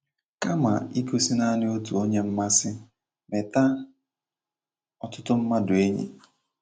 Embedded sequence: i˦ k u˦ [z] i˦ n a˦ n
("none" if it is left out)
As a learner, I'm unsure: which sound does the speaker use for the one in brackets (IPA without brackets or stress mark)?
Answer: s